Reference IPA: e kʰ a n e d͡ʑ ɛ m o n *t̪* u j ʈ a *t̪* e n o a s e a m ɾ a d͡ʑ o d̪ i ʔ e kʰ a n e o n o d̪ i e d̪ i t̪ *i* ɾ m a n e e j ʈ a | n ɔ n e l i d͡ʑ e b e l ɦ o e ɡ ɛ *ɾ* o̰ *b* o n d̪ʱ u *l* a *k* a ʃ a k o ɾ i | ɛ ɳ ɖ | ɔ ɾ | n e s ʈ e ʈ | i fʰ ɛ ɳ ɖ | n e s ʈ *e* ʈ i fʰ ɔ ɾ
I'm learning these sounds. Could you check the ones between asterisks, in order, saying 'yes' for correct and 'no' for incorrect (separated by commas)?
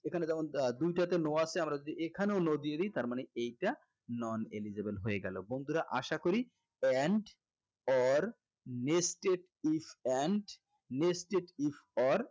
no, yes, no, no, yes, no, no, yes